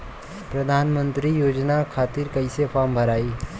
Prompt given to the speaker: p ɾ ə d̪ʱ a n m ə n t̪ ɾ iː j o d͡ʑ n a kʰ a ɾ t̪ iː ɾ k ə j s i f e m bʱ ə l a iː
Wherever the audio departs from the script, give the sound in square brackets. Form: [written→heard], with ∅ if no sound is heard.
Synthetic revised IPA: p ɾ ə d̪ʱ a n m ə n t̪ ɾ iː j o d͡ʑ n a kʰ a [ɾ→∅] t̪ iː ɾ k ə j s [i→e] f [e→a] m bʱ ə [l→ɾ] a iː